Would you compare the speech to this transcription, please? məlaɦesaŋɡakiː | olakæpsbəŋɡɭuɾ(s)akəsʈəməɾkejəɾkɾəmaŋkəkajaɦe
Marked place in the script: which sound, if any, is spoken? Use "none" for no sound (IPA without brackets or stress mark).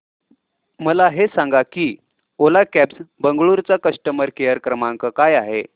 t͡s